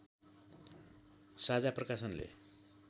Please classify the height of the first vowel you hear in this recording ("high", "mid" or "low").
low